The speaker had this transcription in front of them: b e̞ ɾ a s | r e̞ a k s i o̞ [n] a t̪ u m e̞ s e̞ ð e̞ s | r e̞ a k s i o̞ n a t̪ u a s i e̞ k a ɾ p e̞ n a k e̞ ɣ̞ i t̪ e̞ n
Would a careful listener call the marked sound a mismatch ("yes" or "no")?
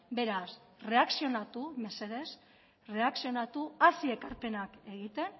no